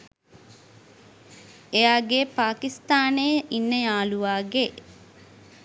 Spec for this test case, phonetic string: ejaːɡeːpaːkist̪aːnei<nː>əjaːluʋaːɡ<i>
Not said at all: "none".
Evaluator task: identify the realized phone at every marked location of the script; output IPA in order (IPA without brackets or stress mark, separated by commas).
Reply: nː, e